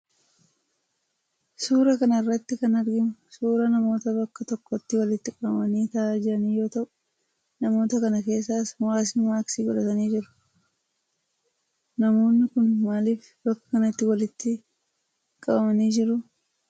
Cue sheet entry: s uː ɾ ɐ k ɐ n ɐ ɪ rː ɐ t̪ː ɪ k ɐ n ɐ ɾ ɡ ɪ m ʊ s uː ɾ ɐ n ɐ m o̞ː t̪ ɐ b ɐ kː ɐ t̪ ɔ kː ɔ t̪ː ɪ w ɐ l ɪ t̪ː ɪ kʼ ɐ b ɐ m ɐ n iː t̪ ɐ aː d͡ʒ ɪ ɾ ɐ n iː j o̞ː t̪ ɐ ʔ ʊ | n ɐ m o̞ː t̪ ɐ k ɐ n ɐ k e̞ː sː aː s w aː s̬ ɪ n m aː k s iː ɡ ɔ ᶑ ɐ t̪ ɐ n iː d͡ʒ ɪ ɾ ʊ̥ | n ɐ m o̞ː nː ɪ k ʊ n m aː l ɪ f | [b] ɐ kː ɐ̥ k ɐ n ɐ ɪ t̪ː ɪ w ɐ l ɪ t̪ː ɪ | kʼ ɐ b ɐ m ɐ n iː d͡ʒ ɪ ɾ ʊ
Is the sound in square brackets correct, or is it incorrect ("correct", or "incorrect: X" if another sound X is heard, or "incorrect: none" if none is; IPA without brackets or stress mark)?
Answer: correct